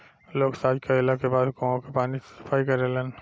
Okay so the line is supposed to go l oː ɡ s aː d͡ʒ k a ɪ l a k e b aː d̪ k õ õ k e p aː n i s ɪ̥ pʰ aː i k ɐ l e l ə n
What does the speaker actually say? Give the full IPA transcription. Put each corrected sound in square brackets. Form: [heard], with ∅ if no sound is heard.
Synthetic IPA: l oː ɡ s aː d͡ʒ k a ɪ l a k e b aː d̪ k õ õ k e p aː n i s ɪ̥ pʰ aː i k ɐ [ɾ] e l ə n